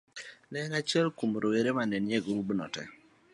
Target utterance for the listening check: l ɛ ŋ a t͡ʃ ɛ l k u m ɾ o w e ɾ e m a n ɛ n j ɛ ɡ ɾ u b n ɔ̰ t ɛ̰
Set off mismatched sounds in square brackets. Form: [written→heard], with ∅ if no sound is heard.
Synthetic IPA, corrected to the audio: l ɛ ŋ a t͡ʃ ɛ l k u m ɾ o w e ɾ e m a n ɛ n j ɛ ɡ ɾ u b n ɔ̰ t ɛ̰